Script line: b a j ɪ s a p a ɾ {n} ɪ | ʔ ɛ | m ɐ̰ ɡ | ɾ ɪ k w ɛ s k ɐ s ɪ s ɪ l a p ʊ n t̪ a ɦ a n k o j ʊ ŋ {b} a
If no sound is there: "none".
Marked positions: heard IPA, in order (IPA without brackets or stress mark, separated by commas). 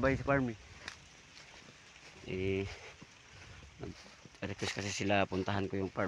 m, p